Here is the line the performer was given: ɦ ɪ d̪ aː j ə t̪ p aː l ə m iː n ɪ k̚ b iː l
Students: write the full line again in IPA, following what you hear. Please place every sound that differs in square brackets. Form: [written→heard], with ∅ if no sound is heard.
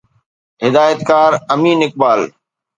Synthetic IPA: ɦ ɪ d̪ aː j ə t̪ [p→k] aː [l→ɾ] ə m iː n ɪ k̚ b [iː→aː] l